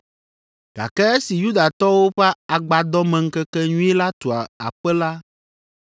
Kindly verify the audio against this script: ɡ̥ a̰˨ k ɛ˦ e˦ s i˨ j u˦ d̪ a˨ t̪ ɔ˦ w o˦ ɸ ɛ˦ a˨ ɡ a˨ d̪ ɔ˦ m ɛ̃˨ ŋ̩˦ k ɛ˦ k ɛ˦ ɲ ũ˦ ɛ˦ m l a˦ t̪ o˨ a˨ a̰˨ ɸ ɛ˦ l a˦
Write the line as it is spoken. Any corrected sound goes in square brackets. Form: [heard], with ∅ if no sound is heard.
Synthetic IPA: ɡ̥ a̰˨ k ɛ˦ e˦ s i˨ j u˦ d̪ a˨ t̪ ɔ˦ w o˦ ɸ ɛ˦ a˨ [ɡ͡b] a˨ d̪ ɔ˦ m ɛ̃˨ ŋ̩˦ k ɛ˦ k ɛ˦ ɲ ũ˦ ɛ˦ [∅] l a˦ t̪ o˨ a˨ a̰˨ ɸ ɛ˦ l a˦